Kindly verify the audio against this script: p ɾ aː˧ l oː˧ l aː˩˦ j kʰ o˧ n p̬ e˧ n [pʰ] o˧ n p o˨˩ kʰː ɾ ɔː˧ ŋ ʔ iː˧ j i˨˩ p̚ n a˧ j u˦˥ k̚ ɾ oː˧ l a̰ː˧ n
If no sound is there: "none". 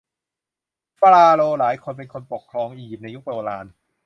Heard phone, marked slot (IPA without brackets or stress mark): kʰ